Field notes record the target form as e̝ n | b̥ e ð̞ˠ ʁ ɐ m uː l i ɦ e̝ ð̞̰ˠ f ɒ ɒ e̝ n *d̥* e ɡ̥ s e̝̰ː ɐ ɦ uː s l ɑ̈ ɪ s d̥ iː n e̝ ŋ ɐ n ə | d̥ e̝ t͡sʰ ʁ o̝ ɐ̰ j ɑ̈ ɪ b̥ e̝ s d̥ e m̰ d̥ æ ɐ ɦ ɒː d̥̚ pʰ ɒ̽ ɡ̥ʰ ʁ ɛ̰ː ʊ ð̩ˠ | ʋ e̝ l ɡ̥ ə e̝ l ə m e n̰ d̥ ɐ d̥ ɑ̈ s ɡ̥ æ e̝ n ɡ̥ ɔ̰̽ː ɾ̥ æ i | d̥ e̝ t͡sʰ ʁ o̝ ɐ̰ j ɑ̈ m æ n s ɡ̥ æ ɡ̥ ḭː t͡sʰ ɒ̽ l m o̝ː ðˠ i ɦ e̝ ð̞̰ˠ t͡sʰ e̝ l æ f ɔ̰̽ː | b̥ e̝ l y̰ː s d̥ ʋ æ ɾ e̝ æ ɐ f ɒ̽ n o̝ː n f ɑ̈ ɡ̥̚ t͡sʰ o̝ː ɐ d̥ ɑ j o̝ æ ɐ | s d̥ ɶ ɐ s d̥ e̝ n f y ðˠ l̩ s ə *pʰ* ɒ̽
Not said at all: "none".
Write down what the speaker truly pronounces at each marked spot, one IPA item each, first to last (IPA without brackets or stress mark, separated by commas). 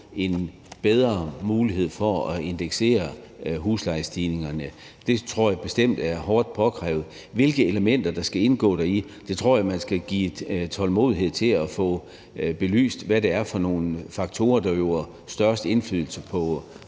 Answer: d̥, pʰ